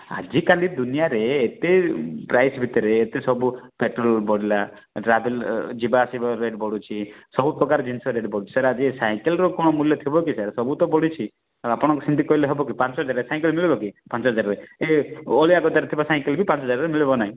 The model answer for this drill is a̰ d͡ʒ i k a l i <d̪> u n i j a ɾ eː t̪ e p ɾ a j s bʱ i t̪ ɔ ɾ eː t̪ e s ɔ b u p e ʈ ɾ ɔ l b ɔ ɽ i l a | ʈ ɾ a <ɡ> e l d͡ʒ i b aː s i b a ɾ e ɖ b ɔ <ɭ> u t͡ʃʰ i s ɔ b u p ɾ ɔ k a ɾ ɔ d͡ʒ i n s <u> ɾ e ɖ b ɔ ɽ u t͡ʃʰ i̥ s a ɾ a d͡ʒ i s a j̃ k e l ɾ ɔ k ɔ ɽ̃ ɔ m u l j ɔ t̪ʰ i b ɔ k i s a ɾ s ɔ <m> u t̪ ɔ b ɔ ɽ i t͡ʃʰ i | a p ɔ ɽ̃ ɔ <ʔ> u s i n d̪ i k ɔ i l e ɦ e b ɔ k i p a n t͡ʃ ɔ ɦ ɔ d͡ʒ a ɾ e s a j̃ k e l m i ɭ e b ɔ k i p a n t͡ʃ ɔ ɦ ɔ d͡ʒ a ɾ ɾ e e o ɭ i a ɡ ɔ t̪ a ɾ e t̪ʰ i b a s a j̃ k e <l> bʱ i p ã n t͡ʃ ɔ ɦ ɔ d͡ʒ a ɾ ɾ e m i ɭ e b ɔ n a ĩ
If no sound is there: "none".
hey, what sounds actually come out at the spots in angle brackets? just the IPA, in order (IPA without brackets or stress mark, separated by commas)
d̪, b, ɽ, ɔ, b, k, l